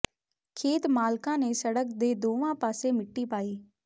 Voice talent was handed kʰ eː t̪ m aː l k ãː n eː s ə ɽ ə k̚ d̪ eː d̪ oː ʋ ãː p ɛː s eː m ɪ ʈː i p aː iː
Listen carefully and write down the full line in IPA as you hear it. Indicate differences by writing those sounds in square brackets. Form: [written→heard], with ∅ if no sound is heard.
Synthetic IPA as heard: kʰ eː t̪ m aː l k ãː n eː s ə ɽ ə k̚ d̪ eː d̪ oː ʋ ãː p [ɛː→aː] s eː m ɪ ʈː [i→iː] p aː iː